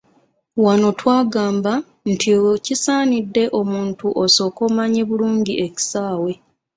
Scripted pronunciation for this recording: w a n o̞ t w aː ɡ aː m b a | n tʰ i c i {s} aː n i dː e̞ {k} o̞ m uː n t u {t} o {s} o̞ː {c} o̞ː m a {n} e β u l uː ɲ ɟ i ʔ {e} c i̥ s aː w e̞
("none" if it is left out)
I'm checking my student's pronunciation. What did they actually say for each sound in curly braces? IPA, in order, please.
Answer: s, ʔ, ʔ, s, k, ɲ, e

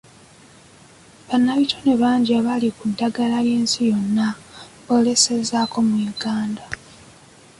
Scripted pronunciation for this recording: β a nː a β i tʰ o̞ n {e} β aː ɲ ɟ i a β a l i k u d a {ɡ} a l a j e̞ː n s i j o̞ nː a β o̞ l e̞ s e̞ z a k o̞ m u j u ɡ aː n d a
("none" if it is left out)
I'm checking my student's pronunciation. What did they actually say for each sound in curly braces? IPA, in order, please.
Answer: e, ɡ

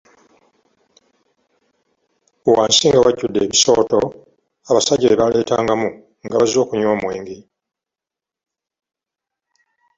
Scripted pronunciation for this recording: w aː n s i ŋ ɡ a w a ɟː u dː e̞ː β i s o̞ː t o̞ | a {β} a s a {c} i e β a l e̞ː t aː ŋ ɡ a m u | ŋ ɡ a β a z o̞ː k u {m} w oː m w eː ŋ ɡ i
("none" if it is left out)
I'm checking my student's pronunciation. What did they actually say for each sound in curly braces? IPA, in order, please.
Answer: β, ɟ, ɲ

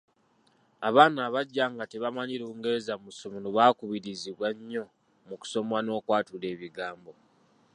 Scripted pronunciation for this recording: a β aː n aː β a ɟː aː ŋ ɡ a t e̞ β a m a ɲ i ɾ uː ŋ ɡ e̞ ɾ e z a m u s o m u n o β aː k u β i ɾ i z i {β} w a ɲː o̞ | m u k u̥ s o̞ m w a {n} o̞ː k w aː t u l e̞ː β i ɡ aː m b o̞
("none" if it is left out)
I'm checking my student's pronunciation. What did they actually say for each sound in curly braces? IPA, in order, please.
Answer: β, n

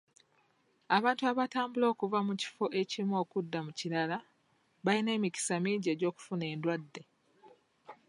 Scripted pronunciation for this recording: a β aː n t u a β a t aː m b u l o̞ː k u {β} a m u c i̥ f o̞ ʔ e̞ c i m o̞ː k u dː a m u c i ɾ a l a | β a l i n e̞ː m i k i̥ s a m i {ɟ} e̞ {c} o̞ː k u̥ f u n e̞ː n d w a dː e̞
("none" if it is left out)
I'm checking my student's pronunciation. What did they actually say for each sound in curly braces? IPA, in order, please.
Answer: v, ɟ, ɟ

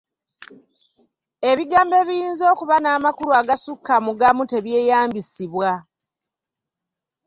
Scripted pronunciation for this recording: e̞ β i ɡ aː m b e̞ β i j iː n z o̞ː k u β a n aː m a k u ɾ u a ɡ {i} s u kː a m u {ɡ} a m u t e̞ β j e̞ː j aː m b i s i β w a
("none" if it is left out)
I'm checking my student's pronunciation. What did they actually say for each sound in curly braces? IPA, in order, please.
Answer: a, ɡ

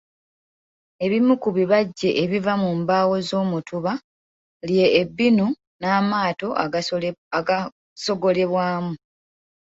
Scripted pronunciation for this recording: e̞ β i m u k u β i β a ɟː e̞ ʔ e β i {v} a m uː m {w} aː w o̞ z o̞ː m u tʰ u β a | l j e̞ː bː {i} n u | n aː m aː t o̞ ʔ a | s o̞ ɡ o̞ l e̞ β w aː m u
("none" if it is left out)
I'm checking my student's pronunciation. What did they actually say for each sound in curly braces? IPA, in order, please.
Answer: v, b, i

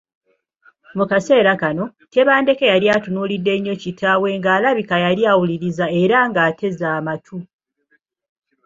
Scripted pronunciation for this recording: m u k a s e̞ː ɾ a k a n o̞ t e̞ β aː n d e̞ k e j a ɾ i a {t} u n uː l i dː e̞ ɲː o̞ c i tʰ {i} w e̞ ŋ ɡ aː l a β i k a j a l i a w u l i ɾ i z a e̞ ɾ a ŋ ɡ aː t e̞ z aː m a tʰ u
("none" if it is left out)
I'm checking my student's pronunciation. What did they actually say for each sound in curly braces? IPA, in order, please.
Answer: t, a

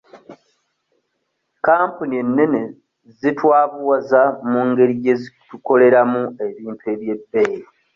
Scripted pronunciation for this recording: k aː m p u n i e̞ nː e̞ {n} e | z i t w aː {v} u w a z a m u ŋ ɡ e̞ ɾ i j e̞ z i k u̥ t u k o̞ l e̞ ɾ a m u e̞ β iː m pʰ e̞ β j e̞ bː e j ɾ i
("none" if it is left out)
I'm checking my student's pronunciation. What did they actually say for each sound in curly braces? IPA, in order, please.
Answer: n, β

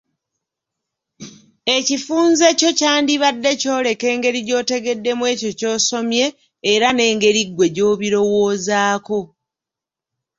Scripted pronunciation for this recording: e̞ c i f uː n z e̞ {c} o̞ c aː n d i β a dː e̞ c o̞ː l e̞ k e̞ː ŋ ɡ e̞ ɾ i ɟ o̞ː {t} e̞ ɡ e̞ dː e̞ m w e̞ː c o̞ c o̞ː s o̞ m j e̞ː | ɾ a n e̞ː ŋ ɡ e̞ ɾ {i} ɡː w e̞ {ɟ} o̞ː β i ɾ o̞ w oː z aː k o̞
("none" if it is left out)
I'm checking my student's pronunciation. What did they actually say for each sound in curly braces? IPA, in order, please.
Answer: c, t, i, ɟ

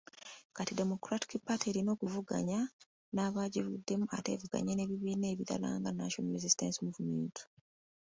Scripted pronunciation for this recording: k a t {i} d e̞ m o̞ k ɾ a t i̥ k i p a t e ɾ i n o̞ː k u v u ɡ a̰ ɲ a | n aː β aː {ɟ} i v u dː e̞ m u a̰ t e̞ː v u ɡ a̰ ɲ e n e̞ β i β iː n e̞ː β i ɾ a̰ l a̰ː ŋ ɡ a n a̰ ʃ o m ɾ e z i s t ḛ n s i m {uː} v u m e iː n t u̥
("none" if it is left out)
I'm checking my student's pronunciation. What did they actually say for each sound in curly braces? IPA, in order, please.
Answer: i, ɟ, u

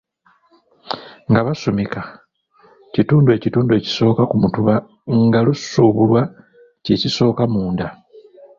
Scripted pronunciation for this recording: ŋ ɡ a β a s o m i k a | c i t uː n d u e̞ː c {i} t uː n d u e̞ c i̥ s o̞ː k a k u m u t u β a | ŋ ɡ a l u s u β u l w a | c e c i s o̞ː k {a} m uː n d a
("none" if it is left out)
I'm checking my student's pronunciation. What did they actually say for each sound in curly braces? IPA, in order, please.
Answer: i, a

